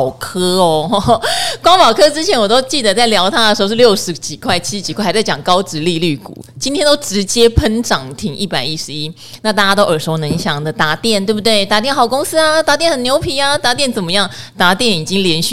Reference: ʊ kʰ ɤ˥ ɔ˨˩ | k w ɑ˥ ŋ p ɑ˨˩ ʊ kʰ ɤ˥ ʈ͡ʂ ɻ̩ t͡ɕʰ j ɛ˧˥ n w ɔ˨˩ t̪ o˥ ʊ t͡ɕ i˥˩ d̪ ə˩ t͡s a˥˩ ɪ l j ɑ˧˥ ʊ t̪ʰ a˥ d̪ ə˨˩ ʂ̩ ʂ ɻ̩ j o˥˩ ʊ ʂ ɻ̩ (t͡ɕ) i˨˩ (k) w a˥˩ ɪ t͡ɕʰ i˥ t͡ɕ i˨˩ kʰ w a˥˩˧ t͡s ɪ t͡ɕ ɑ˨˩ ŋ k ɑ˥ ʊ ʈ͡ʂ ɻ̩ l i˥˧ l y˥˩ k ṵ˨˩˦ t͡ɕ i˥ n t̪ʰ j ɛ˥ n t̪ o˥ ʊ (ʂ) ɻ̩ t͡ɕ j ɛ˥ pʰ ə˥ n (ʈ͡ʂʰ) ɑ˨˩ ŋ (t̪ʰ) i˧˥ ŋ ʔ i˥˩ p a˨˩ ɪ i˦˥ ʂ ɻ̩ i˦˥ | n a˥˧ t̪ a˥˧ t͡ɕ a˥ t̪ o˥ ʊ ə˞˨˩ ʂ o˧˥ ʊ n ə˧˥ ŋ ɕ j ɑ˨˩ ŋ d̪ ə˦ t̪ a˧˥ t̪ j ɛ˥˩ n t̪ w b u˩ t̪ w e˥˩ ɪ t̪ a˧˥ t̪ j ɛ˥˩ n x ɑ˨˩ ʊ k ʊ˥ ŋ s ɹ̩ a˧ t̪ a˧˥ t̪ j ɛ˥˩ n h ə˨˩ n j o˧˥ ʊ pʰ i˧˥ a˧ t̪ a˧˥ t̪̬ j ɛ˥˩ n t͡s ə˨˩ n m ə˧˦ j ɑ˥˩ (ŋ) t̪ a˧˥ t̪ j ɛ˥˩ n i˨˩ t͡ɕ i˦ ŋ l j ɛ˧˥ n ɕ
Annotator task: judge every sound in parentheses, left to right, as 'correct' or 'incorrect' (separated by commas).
correct, incorrect, incorrect, incorrect, correct, correct